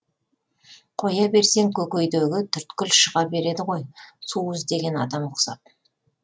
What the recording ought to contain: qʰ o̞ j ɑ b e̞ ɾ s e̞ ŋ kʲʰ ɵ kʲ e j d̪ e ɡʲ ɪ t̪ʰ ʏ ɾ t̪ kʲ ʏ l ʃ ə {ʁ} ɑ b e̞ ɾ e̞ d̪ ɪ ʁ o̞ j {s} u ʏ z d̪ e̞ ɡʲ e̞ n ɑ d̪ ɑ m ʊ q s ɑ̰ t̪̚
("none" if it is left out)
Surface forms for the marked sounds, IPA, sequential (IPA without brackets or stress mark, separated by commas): ʁ, s